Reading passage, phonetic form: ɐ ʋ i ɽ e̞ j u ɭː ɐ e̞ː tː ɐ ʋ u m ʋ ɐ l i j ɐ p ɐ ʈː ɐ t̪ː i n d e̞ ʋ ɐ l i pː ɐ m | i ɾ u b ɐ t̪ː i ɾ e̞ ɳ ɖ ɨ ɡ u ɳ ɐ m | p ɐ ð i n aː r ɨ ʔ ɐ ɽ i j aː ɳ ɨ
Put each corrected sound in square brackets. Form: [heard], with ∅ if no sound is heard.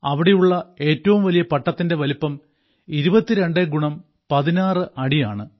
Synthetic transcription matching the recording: ɐ ʋ i ɽ e̞ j u ɭː ɐ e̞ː tː ɐ ʋ u m ʋ ɐ l i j ɐ p ɐ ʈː ɐ t̪ː i n d e̞ ʋ ɐ l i pː ɐ m | i ɾ u b ɐ t̪ː i ɾ e̞ ɳ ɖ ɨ ɡ u ɳ ɐ m | p ɐ ð i n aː r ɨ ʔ ɐ ɽ i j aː ɳ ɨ